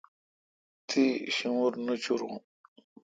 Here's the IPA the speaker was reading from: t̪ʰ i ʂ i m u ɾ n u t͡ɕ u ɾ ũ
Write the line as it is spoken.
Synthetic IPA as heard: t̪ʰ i ɕ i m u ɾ n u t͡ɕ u ɾ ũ